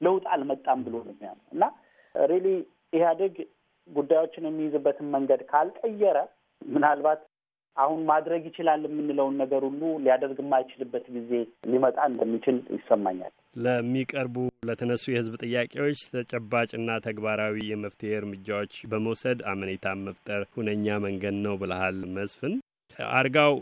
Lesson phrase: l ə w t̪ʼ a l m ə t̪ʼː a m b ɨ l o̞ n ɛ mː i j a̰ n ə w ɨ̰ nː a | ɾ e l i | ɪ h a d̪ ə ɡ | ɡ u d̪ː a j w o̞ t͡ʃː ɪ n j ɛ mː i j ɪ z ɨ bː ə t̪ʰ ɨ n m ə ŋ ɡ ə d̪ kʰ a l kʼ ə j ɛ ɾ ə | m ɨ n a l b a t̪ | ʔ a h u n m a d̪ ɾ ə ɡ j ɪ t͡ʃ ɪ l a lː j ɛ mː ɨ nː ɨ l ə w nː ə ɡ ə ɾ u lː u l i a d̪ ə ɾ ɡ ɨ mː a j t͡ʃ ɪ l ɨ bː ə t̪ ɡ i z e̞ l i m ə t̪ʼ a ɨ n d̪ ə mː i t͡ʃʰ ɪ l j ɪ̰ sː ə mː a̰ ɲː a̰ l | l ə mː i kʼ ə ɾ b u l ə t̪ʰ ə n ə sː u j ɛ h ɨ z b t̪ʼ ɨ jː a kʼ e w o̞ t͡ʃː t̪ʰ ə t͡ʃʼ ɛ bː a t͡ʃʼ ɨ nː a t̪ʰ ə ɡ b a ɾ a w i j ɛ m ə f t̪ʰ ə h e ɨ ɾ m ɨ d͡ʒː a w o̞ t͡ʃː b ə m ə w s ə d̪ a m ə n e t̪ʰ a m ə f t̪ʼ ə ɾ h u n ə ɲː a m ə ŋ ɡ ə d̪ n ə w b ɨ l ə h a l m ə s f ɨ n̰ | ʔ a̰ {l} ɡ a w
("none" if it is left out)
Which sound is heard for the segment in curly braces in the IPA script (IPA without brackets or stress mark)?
ɾ